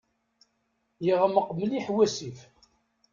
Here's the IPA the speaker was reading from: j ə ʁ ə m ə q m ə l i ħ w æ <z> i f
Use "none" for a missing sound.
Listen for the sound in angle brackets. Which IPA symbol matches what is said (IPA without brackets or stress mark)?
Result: s